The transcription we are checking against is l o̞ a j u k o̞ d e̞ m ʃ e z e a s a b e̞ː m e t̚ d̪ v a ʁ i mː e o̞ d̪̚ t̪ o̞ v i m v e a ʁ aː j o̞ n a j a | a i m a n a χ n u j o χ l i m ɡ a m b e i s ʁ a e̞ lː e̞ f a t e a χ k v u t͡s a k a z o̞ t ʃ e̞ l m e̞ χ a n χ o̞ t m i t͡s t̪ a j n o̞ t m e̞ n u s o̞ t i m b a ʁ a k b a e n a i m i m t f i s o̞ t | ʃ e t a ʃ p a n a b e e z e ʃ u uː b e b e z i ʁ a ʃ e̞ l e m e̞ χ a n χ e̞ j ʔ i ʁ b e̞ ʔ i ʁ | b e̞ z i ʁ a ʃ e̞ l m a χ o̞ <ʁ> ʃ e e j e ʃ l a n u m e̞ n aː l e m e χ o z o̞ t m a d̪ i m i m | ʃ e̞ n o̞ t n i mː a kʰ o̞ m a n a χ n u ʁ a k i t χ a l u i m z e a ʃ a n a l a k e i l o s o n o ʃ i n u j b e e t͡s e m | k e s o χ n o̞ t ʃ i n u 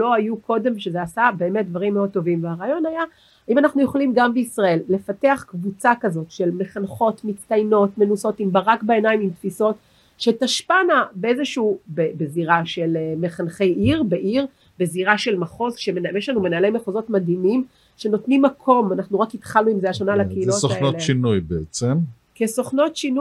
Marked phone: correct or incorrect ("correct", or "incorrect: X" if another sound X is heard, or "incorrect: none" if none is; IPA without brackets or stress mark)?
incorrect: z